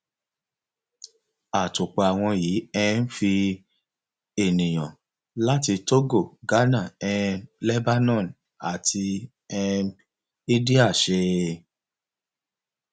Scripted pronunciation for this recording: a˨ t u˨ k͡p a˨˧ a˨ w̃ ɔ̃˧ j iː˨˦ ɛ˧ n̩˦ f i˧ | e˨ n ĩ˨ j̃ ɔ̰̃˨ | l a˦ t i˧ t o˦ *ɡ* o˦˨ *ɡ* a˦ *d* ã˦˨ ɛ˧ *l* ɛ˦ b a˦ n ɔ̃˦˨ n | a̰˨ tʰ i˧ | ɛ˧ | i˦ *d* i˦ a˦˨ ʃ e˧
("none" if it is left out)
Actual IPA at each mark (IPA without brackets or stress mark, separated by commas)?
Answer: ɡ, ɡ, n, l, d